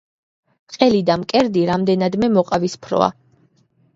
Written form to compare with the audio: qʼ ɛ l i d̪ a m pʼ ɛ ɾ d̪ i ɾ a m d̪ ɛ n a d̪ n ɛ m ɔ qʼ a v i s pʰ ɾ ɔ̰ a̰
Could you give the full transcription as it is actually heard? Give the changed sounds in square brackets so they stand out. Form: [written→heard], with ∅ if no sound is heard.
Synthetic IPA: qʼ ɛ l i d̪ a m [pʼ→kʼ] ɛ ɾ d̪ i ɾ a m d̪ ɛ n a d̪ [n→m] ɛ m ɔ qʼ a v i s pʰ ɾ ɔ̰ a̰